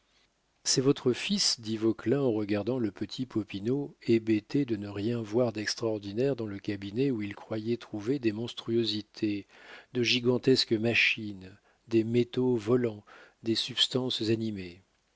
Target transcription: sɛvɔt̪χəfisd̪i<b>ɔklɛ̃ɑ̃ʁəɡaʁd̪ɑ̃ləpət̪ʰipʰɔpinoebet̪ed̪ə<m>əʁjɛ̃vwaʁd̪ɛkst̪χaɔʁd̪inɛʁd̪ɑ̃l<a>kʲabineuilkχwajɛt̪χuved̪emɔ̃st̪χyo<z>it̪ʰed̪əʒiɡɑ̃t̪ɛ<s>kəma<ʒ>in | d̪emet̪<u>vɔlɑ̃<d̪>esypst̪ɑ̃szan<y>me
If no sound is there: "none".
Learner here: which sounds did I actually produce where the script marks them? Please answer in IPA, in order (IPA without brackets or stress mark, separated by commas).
v, n, ə, z, s, ʃ, o, d̪, i